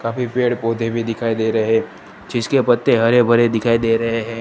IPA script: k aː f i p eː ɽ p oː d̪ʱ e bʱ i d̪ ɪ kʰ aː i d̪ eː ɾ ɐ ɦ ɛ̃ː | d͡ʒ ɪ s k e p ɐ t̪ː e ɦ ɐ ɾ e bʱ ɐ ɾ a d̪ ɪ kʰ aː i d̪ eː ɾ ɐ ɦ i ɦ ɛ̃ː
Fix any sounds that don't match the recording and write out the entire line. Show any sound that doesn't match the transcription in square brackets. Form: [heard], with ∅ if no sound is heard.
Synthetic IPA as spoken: k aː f i p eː ɽ p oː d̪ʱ e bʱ i d̪ ɪ kʰ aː i d̪ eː ɾ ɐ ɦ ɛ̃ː | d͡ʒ ɪ s k e p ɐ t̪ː e ɦ ɐ ɾ e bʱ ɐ ɾ [e] d̪ ɪ kʰ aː i d̪ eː ɾ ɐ ɦ [e] ɦ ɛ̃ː